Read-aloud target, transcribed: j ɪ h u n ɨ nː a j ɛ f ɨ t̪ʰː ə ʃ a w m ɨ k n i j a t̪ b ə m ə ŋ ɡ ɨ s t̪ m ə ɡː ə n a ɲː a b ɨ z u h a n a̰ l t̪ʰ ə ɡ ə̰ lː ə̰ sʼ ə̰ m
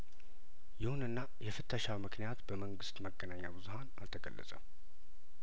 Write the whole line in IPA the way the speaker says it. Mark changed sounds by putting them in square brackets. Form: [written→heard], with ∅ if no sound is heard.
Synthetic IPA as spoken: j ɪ h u n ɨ nː a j ɛ f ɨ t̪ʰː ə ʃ a w m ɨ k n i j a t̪ b ə m ə ŋ ɡ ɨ s t̪ m ə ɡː ə n a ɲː a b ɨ z u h a n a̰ l t̪ʰ ə ɡ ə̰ lː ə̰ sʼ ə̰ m